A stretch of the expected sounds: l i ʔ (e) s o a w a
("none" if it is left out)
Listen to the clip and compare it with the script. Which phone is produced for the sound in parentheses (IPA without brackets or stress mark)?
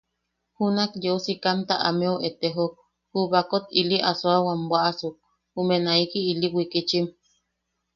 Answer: a